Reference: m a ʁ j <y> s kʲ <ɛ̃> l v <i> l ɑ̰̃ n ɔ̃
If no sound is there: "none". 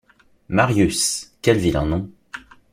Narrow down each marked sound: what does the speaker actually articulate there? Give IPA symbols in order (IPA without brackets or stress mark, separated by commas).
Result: y, ɛ, i